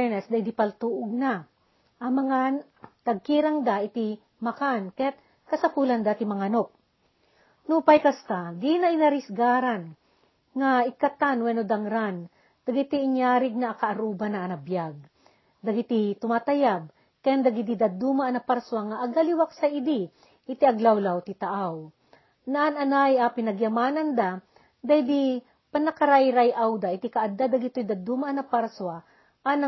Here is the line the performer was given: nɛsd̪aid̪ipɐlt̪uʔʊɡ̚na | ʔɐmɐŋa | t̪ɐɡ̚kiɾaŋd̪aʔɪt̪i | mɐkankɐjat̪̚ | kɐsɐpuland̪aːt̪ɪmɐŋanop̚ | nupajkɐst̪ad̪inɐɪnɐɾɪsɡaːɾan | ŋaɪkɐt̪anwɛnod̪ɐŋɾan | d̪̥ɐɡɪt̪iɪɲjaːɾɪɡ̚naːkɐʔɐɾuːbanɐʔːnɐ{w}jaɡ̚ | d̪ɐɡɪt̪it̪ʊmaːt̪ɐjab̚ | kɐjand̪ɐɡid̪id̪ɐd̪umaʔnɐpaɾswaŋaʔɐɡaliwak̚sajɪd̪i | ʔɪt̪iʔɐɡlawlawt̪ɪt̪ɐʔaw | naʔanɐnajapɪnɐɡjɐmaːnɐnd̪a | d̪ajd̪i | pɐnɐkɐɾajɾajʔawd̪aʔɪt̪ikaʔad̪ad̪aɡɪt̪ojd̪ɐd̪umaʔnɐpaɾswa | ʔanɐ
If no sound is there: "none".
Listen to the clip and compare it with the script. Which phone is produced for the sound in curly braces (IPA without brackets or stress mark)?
b